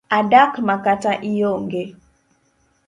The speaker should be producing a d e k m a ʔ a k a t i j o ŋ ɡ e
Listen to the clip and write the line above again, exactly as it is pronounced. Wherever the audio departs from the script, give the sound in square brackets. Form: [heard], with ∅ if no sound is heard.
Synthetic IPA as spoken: a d [a] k m a [k] a [t] a [ʔ] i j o ŋ ɡ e